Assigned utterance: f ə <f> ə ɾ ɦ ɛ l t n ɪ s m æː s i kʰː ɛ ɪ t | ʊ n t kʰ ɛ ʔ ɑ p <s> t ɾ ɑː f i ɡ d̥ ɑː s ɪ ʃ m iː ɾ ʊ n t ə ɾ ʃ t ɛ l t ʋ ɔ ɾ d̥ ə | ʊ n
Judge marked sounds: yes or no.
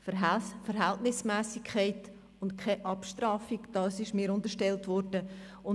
yes, no

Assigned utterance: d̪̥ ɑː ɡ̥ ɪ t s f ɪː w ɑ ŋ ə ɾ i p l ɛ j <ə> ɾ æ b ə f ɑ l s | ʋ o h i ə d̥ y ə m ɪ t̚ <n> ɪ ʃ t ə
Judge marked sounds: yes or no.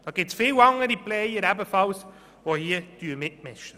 yes, no

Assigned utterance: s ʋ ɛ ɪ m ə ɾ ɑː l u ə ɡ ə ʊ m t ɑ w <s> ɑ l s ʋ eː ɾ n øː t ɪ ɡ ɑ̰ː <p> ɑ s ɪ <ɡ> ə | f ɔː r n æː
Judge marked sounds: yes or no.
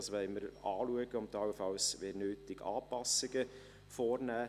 no, yes, yes

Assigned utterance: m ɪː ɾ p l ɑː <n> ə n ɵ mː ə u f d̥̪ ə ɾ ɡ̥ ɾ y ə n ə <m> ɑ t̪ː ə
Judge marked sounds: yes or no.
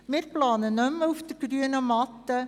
yes, yes

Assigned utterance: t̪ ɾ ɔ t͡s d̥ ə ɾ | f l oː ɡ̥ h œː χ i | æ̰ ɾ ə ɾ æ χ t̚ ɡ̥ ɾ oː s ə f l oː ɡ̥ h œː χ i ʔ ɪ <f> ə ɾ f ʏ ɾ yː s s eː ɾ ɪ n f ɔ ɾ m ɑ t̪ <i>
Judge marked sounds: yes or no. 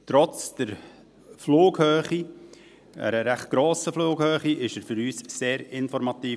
no, no

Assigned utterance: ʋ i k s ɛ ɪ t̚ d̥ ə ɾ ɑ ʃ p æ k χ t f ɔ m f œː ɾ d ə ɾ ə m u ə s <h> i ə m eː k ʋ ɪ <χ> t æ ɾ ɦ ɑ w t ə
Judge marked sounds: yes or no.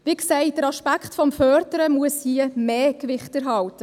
yes, yes

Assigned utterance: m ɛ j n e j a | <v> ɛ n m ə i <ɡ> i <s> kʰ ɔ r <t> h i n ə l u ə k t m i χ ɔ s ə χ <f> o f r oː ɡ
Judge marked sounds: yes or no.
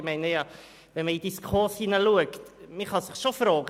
yes, no, yes, no, no

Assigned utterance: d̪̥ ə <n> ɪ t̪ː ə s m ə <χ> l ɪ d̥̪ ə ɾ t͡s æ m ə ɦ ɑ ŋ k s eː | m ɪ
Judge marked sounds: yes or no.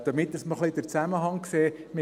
no, yes

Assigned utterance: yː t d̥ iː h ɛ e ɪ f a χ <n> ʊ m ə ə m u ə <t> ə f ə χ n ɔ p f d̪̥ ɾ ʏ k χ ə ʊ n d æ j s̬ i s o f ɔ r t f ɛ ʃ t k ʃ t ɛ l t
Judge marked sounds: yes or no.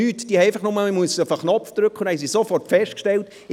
yes, no

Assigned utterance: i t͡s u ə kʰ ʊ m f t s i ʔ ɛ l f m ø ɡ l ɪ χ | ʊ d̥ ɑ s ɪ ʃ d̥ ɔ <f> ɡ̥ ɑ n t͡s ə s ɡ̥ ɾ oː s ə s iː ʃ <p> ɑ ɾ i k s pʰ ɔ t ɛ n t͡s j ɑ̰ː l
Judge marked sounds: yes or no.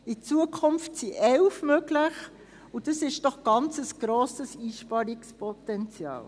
no, yes

